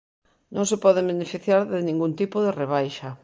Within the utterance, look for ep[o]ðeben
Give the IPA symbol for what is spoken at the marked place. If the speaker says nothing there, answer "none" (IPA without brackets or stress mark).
ɔ